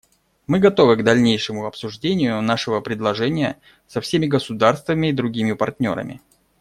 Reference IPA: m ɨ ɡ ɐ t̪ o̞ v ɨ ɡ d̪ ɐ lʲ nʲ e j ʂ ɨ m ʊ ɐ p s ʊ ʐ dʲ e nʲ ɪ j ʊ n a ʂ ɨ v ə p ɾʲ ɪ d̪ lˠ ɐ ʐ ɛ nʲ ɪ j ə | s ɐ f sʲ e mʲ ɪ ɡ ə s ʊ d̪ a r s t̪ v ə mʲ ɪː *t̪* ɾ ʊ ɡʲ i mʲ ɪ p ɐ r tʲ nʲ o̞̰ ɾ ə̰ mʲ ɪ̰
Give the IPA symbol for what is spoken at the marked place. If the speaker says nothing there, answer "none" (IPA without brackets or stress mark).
d̪